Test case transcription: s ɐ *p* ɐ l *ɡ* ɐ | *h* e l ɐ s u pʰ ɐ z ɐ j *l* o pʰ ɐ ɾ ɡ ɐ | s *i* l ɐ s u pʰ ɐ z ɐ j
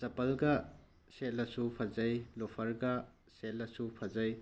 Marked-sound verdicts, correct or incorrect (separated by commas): correct, correct, incorrect, correct, incorrect